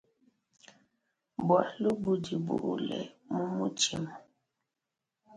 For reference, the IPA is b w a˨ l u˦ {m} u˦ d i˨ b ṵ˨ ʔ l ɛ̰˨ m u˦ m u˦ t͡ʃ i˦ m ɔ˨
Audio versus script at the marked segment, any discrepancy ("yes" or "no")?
yes